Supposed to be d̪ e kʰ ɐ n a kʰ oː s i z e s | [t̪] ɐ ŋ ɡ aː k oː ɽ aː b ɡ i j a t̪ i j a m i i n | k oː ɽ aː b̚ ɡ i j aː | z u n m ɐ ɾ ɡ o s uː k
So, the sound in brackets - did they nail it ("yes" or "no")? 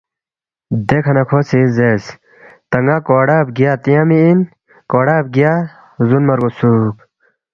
yes